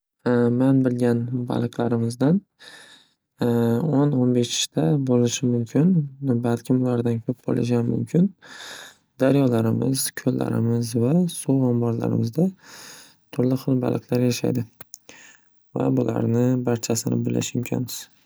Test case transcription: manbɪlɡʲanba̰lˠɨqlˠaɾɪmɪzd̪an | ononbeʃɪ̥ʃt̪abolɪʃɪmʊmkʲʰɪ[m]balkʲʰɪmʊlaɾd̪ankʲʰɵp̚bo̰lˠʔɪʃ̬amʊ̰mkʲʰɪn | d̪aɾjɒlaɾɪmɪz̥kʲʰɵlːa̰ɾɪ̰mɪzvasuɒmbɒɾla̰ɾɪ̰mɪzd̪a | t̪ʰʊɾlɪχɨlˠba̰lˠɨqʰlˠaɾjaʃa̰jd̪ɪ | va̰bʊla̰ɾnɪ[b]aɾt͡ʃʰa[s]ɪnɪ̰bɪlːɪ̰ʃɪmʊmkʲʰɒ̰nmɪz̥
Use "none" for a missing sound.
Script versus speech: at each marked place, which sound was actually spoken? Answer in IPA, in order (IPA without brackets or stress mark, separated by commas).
n, b, s